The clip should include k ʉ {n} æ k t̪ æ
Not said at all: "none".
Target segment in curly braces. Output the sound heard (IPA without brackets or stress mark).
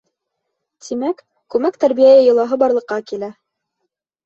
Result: m